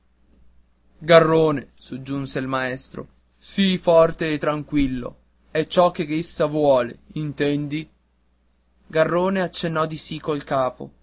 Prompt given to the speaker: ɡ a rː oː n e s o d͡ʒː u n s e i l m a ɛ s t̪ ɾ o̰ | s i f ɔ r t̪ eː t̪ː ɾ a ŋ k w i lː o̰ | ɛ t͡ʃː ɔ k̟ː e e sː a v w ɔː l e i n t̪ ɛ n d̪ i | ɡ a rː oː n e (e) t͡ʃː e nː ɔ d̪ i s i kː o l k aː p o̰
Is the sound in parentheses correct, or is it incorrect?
incorrect: a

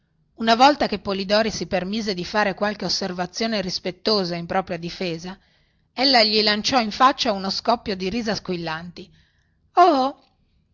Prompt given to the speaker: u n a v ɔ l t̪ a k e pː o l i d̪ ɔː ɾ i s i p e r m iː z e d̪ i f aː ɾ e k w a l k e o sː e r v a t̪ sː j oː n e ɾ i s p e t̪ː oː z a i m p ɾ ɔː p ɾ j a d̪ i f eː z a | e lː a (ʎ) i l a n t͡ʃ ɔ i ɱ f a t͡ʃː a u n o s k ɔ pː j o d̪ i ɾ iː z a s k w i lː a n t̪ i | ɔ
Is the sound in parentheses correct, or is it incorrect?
correct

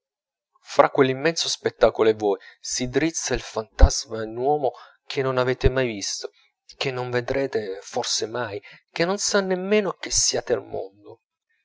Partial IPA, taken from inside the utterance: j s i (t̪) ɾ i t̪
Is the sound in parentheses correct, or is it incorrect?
incorrect: d̪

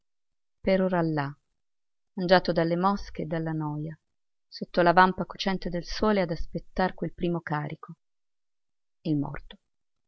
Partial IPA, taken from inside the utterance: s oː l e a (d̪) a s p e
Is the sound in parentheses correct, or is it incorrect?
correct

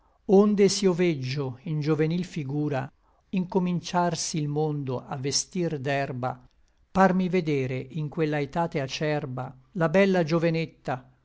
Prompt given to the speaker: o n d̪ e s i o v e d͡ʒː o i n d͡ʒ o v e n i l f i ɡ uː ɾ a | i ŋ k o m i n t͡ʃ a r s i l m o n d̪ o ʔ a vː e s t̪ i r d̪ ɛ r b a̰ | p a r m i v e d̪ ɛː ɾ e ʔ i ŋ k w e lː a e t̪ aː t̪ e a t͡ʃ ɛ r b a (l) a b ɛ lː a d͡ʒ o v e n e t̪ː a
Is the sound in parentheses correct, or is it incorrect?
correct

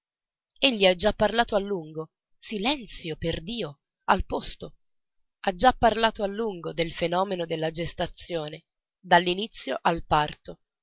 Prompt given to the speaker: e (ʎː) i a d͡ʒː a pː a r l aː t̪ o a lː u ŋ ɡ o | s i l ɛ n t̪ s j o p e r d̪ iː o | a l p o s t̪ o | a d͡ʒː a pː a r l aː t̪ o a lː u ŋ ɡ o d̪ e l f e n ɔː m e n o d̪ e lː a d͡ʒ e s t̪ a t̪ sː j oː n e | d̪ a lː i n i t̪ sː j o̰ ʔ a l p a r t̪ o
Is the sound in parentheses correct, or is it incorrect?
correct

